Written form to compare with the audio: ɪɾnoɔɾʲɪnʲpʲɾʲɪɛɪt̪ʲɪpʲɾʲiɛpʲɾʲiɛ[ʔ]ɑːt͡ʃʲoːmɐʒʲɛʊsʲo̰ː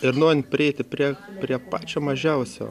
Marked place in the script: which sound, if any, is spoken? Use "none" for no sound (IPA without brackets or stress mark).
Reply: p